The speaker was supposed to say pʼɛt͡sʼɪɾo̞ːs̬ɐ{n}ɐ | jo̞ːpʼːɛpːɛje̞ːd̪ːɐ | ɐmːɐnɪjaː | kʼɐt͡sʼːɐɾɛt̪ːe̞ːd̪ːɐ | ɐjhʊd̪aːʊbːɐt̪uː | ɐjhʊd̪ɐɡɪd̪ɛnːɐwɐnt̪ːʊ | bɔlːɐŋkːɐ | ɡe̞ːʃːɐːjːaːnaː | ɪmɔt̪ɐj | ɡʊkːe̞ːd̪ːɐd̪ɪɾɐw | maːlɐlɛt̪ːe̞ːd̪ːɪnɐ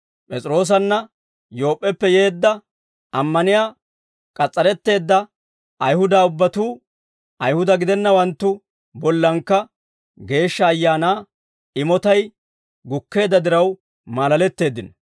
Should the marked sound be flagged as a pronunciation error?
yes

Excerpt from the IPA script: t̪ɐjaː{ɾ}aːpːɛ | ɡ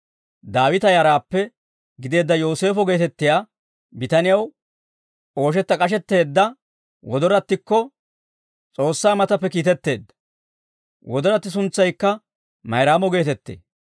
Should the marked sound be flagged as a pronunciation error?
no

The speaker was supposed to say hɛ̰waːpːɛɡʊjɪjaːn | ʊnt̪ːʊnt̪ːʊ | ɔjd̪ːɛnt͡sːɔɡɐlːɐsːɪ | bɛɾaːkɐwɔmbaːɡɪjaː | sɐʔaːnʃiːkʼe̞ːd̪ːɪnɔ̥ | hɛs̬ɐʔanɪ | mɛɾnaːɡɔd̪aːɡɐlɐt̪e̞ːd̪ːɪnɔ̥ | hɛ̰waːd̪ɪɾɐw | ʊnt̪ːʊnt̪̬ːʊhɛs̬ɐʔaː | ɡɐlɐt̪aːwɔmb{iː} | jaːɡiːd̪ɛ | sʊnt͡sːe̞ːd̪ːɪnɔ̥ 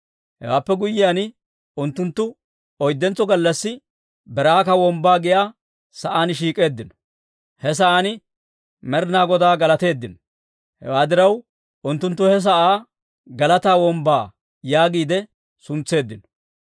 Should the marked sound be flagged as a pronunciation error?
yes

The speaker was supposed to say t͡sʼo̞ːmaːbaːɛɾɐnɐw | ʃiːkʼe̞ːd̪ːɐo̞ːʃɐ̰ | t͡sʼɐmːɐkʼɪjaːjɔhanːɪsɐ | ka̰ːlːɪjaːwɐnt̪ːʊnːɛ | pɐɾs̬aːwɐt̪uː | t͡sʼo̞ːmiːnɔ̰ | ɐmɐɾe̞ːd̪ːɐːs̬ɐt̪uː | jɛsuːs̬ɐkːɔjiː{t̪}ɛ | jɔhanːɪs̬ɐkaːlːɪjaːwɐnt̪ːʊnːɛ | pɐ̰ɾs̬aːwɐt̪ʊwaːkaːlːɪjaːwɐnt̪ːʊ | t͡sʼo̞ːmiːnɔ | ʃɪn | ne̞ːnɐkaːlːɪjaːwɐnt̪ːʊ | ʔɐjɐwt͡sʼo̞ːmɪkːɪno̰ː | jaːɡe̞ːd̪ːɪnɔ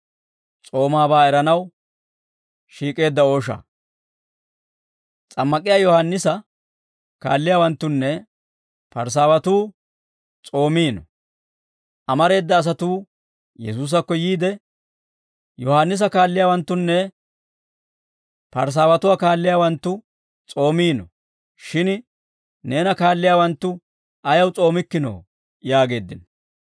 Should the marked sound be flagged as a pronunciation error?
yes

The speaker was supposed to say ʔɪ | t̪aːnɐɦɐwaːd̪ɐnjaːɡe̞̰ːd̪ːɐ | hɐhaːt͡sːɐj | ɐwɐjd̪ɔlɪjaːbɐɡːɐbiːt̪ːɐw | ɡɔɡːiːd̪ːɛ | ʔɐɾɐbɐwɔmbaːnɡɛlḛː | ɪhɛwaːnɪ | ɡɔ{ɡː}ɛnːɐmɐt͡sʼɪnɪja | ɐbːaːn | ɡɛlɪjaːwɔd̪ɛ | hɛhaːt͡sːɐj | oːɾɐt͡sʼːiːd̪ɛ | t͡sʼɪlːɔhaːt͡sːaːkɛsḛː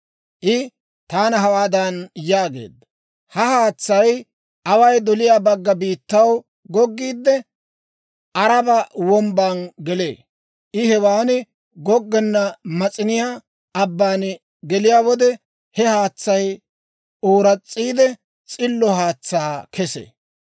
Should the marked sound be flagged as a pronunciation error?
no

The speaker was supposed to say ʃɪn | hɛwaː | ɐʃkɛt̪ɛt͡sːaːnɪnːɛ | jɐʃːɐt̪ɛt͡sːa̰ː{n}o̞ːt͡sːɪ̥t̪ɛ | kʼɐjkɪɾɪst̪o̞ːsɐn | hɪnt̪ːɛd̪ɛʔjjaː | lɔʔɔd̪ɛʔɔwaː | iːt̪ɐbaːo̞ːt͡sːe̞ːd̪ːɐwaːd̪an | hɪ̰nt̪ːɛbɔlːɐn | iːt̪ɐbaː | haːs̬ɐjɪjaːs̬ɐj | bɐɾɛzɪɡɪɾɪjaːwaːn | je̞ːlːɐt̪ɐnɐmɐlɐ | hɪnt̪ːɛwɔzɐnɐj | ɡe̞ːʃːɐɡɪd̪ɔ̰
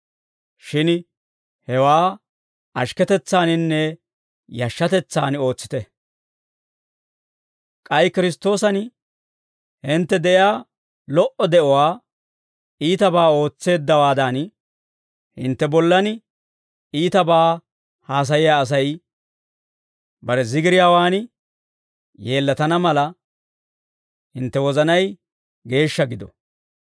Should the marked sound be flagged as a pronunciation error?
no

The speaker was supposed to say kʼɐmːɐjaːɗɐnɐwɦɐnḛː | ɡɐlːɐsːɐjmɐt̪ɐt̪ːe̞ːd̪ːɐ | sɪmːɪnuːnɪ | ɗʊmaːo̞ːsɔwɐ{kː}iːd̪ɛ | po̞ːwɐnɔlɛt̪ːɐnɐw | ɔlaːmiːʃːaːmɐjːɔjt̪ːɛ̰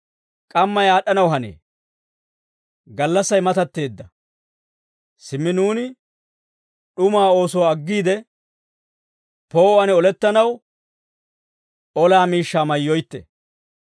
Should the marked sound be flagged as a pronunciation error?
yes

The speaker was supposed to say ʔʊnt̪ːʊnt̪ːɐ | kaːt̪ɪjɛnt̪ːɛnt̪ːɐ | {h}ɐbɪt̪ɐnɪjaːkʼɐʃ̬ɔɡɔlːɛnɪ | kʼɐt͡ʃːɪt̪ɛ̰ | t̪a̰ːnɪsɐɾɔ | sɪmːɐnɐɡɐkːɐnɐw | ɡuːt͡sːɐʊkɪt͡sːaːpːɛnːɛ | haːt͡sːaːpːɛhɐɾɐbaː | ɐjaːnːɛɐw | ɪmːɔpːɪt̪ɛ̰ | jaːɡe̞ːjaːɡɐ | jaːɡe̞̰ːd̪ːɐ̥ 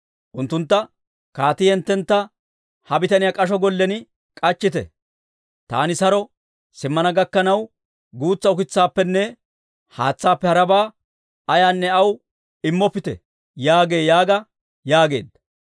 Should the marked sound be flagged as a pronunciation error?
no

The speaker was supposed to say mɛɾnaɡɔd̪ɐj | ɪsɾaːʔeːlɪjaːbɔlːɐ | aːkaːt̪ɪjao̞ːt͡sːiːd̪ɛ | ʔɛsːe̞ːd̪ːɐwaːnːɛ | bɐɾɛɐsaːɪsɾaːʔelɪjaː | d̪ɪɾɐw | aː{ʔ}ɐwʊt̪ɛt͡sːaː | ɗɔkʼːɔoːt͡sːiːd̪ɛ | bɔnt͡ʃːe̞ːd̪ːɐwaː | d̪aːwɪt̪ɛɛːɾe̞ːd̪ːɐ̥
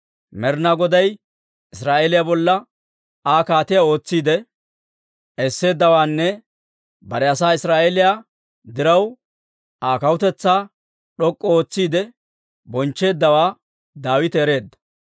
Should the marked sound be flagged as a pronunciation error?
yes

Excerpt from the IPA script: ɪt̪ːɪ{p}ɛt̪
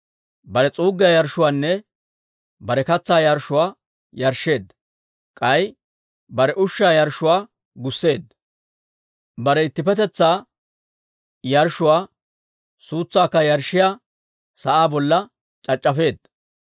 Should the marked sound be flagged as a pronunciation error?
no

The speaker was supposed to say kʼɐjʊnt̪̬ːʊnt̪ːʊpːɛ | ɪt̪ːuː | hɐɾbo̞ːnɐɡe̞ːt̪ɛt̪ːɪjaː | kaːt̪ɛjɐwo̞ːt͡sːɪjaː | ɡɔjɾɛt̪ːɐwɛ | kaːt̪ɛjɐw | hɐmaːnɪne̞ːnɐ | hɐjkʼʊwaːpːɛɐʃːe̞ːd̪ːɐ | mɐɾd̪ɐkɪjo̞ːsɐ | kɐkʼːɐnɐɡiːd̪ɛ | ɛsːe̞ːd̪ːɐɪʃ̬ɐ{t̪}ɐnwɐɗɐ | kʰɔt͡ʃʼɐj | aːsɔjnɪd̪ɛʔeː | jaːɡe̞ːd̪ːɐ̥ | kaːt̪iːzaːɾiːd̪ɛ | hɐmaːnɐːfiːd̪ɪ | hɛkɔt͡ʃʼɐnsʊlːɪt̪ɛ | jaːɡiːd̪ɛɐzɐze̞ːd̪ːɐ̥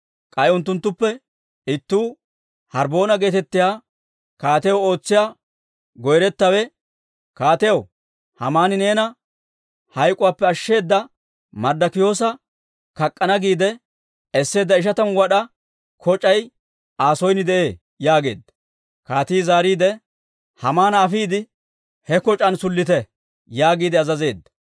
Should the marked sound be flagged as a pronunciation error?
no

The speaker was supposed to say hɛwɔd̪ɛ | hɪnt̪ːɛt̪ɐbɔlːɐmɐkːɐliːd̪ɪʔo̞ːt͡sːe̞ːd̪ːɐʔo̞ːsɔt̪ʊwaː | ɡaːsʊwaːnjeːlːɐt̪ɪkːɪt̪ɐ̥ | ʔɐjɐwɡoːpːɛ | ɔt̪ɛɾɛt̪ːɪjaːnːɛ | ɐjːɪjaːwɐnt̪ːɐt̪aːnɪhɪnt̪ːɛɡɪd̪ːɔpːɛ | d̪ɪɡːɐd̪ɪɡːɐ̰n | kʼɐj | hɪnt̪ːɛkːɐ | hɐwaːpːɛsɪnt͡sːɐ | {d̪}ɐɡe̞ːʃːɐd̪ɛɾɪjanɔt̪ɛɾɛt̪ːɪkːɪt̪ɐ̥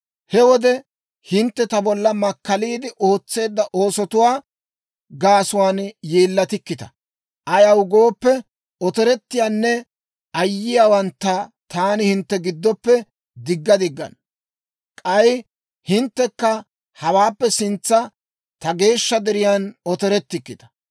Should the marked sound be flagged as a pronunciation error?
yes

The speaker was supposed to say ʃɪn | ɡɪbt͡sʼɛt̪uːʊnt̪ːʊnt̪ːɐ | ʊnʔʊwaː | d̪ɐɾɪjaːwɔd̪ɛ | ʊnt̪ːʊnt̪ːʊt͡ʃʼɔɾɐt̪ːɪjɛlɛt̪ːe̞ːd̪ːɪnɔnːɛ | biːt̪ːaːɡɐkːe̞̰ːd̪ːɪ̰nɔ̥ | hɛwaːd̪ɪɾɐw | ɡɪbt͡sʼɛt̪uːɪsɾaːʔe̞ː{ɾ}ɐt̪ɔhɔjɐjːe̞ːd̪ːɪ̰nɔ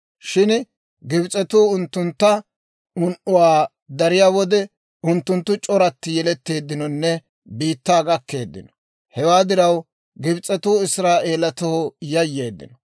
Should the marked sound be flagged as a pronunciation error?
yes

